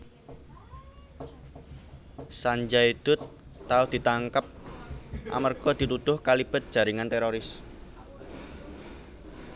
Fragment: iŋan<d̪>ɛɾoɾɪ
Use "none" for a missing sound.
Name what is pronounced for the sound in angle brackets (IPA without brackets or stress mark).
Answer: t̪